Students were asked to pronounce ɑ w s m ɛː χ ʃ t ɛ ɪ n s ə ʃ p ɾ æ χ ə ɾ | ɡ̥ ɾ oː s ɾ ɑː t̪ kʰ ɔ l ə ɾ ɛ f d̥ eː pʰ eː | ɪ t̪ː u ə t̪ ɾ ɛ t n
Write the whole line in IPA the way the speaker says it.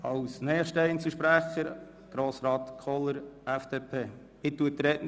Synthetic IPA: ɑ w s n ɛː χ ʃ t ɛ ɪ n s ə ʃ p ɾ æ χ ə ɾ | ɡ̥ ɾ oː s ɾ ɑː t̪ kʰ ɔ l ə ɾ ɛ f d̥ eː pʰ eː | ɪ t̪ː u ə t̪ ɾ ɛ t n